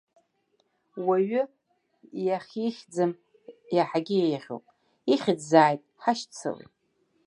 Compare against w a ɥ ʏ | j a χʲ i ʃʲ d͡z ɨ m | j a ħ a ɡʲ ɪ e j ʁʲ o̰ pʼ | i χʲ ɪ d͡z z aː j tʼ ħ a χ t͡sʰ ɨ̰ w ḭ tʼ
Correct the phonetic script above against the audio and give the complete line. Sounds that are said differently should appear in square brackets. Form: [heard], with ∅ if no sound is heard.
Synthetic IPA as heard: w a ɥ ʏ | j a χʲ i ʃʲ d͡z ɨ m | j a ħ a ɡʲ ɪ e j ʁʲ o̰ pʼ | i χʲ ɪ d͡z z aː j tʼ ħ a [ʃ] t͡sʰ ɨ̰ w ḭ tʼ